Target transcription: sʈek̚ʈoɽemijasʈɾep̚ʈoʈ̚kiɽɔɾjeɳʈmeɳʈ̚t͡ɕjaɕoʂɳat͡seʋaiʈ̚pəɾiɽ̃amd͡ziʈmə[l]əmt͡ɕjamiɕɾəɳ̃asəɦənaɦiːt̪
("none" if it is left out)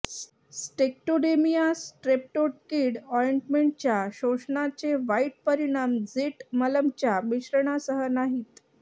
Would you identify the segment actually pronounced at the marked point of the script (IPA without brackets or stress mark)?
l